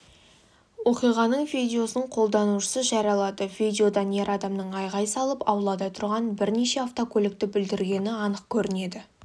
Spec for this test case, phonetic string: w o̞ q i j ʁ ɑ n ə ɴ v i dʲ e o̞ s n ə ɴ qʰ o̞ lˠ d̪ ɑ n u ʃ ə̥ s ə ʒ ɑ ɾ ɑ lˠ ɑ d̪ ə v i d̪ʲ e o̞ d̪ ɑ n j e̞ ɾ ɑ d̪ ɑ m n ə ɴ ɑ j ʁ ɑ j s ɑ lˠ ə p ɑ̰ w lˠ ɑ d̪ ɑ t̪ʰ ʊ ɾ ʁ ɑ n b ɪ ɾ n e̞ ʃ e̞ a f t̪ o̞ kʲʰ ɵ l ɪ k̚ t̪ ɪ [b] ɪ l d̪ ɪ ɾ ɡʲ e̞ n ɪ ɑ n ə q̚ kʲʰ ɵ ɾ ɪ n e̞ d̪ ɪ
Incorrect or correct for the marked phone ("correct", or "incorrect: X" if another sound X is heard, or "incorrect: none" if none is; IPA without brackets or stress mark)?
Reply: correct